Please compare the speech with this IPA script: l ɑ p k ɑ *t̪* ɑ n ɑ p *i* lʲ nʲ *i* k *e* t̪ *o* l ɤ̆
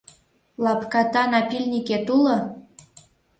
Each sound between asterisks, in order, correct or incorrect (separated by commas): correct, correct, correct, correct, incorrect